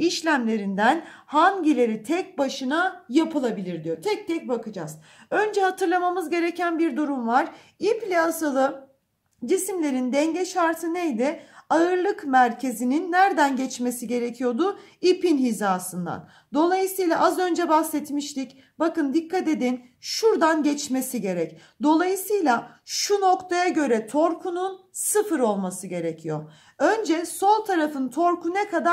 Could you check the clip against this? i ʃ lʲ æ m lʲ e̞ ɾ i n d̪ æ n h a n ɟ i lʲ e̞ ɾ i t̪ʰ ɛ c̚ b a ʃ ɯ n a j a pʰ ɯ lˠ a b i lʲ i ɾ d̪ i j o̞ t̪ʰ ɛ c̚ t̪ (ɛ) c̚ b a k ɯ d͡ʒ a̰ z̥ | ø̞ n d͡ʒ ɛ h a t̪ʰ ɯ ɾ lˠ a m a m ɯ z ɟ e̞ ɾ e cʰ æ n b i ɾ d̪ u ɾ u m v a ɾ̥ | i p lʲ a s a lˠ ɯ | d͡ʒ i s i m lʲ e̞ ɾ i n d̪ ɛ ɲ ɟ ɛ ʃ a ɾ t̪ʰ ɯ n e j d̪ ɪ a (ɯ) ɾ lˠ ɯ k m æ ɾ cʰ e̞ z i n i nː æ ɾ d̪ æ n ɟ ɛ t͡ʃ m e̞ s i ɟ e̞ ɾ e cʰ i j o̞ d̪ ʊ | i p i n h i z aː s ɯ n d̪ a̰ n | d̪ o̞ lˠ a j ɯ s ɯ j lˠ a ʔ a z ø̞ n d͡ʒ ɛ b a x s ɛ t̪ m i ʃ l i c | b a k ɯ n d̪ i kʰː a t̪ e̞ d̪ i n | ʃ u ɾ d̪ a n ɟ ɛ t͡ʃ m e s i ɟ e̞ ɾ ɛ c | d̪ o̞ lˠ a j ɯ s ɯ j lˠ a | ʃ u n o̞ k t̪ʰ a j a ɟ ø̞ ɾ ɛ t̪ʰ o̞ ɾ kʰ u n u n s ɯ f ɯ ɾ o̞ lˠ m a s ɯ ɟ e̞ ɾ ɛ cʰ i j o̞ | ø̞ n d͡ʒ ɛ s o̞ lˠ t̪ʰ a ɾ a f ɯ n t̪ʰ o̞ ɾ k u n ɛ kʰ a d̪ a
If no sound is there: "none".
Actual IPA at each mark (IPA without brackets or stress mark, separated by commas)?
ɛ, ɯ